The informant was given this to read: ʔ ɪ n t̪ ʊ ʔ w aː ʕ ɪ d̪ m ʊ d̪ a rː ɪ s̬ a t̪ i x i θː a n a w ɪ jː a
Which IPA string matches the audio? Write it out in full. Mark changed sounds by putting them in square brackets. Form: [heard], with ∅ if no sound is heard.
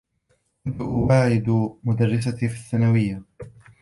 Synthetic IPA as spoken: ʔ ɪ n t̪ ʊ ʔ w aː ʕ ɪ d̪ m ʊ d̪ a rː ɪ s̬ a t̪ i [f] i θː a n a w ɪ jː a